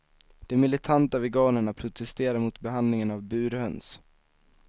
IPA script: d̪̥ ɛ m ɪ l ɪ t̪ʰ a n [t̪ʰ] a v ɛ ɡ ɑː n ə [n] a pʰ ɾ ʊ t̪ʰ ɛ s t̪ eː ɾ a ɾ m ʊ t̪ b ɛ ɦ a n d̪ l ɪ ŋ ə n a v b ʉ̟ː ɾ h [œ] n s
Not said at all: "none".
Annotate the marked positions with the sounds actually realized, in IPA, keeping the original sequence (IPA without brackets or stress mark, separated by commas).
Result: t̪, ɳ, œ